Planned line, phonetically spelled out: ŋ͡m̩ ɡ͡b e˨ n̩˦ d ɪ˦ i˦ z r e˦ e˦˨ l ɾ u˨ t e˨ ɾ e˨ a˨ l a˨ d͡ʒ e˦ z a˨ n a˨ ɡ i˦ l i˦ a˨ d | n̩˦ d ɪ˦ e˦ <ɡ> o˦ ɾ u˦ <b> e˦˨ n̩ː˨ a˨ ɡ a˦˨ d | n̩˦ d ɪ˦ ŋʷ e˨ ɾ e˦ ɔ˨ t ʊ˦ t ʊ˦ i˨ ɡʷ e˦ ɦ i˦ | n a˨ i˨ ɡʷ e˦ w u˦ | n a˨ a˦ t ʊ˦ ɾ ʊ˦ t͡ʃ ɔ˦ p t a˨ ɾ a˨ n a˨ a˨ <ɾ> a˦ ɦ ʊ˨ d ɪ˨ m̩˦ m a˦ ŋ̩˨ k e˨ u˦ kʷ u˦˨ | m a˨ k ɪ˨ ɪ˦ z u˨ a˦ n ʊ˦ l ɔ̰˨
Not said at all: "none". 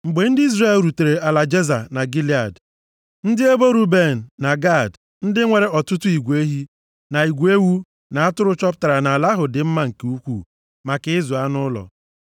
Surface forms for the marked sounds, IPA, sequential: b, b, l

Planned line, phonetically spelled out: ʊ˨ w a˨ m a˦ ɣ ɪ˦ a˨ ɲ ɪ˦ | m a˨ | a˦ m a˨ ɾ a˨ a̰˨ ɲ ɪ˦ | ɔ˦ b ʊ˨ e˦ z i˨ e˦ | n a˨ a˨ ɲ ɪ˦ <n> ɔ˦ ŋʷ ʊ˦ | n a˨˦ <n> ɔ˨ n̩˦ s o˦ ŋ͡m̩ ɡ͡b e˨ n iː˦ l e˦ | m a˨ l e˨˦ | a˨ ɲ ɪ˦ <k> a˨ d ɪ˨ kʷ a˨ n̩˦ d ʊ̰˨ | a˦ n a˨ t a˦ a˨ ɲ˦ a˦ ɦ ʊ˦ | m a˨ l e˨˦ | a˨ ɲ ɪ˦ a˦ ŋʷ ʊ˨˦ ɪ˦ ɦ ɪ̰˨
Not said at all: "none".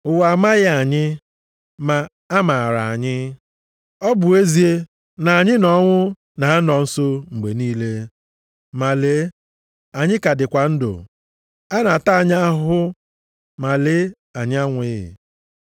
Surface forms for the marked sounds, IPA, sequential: n, n, k

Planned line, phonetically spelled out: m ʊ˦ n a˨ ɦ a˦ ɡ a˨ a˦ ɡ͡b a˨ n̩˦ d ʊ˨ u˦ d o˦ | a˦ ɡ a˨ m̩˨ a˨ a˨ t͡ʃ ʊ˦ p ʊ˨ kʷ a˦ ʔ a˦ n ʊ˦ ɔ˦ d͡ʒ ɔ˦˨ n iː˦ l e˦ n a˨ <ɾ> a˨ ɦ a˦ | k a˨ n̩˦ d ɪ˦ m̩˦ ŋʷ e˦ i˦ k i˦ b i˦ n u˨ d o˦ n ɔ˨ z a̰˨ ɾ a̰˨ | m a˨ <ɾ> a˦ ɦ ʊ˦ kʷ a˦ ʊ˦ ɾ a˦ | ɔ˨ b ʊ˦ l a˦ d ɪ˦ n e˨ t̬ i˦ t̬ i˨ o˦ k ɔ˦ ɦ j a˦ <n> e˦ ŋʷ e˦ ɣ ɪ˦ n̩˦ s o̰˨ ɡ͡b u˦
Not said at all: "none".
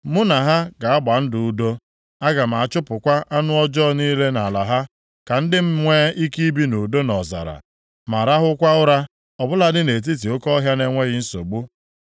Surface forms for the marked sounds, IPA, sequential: l, ɾ, n

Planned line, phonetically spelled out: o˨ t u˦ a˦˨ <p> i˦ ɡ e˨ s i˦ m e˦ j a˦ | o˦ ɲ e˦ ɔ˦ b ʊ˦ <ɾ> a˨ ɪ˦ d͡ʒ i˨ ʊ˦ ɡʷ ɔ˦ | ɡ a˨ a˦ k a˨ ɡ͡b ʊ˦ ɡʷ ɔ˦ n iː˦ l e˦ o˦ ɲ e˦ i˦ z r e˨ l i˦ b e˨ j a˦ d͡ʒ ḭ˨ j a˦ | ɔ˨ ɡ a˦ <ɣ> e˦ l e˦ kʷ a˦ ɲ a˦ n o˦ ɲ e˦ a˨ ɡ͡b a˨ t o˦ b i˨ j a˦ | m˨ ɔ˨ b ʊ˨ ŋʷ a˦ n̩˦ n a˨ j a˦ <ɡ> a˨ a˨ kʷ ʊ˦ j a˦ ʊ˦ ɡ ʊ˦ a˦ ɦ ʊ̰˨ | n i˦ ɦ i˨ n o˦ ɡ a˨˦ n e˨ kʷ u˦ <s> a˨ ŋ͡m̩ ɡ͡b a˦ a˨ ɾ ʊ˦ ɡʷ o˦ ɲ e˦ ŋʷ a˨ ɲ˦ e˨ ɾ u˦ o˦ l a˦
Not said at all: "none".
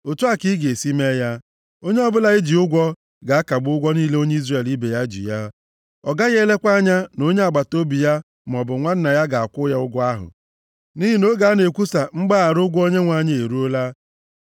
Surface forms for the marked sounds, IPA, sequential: k, l, ɣ, ɡ, s

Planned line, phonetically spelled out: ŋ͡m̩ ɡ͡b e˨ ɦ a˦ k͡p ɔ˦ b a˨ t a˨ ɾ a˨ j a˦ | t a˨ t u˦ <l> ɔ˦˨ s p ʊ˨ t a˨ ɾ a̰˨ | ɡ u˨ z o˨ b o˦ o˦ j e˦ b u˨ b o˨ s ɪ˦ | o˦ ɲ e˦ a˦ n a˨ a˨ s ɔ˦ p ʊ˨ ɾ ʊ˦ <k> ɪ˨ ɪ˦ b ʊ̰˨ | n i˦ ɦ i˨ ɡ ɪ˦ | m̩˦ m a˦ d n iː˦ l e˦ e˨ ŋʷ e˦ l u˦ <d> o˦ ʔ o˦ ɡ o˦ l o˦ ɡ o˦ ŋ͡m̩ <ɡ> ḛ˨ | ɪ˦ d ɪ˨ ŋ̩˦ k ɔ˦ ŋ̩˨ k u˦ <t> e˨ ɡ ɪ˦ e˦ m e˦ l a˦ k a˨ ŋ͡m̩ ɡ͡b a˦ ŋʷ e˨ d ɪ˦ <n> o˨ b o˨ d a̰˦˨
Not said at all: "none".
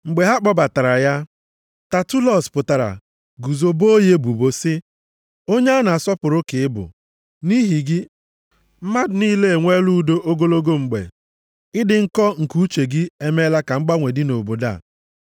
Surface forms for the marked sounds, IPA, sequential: l, k, d, ɡ͡b, t͡ʃ, n

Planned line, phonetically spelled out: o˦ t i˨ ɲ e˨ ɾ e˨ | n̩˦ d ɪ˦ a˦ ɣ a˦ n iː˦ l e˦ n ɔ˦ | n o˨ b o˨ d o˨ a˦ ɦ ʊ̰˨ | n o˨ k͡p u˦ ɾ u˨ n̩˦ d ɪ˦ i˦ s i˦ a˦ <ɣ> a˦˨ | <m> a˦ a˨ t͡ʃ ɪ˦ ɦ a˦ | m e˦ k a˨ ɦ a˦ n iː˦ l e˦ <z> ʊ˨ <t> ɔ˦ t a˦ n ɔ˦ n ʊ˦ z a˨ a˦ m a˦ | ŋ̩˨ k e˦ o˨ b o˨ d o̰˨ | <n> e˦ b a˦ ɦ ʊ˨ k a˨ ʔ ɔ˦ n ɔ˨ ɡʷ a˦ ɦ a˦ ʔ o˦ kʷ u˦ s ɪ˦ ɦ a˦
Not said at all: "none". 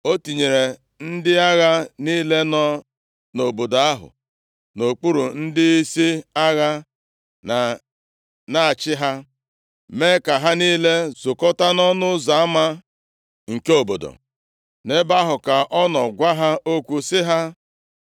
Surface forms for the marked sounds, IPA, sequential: ɣ, n, z, k, n

